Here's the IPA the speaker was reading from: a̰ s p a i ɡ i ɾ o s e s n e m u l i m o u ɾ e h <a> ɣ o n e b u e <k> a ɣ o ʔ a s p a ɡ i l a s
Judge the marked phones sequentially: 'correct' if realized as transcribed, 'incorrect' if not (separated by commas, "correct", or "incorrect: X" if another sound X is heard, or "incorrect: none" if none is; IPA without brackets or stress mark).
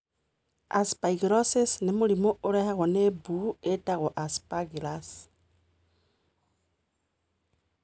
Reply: correct, incorrect: t